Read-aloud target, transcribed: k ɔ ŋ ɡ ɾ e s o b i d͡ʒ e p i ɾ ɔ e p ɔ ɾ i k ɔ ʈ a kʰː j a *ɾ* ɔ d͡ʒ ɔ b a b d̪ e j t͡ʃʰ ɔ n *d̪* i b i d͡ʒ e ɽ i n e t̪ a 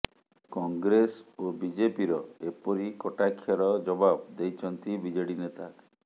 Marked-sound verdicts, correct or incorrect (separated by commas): correct, incorrect